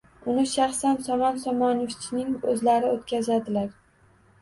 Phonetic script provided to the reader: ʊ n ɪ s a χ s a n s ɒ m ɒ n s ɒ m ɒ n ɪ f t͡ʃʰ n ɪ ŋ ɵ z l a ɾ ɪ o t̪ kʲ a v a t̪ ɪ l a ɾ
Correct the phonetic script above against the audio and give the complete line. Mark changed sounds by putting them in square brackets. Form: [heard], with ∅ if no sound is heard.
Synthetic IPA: ʊ n ɪ [ʃ] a χ s a n s ɒ m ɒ n s ɒ m ɒ n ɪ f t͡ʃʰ n ɪ ŋ ɵ z l a ɾ ɪ o t̪ kʲ a [z] a [d̪] ɪ l a ɾ